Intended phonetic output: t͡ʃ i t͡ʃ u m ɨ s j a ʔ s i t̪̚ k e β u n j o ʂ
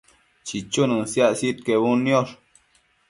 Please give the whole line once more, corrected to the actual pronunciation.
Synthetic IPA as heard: t͡ʃ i t͡ʃ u n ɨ s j a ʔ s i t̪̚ k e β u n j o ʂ